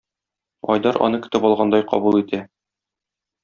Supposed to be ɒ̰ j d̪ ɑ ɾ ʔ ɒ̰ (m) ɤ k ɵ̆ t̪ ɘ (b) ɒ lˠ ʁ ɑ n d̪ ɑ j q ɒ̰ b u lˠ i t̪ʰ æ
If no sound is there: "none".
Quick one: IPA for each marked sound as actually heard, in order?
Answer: n, p

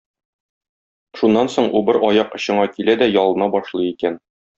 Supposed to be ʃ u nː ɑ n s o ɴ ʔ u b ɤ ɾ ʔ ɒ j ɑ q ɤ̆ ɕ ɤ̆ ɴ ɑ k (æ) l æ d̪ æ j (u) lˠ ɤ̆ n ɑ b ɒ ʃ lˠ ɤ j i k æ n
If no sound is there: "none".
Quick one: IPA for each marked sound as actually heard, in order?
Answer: i, ɒ

